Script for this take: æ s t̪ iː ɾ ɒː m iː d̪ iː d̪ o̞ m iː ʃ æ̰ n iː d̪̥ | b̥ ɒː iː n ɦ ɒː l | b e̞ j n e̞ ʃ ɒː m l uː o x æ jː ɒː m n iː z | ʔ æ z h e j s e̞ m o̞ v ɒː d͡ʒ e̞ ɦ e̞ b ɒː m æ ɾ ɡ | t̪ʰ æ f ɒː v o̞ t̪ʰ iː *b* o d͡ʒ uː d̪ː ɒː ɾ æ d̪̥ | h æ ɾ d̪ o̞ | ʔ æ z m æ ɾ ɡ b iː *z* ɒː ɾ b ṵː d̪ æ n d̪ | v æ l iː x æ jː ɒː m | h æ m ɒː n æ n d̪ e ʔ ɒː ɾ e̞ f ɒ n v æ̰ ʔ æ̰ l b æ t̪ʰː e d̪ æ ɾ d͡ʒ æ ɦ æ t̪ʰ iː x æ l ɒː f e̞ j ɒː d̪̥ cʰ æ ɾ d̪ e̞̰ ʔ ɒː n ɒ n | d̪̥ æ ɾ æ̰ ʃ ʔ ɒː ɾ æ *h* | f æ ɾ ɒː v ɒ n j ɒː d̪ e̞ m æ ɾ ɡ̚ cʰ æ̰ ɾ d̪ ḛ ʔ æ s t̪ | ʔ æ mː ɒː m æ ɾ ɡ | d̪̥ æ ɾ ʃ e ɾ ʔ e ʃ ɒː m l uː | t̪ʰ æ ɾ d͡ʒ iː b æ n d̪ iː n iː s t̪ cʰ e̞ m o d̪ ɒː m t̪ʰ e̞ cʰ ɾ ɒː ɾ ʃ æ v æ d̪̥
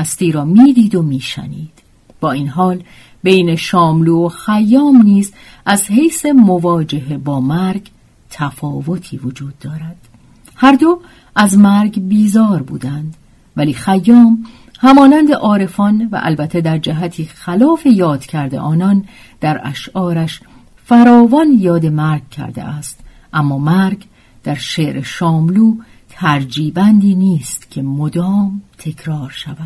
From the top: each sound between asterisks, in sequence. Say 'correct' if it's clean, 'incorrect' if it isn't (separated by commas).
incorrect, correct, incorrect